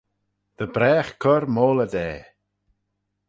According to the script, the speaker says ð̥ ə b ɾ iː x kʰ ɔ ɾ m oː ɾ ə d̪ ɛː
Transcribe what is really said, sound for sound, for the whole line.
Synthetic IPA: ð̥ ə b ɾ ɛː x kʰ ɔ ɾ m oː l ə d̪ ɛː